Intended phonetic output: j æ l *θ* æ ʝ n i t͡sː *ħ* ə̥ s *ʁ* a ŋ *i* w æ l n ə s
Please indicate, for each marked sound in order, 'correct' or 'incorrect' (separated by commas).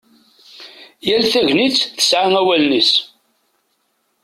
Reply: correct, incorrect, incorrect, incorrect